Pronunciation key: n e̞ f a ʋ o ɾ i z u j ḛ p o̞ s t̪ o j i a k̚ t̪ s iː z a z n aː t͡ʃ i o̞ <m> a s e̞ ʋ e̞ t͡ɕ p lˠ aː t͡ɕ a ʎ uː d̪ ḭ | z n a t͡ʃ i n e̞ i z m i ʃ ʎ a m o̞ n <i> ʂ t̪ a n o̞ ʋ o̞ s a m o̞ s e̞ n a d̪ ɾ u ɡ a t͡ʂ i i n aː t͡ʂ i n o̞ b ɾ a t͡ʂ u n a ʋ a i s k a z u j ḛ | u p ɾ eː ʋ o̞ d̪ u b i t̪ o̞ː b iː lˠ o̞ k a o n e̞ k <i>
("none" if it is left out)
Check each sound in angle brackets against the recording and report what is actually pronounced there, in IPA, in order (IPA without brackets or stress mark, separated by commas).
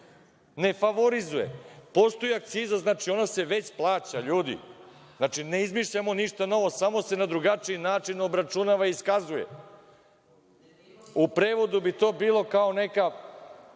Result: n, i, a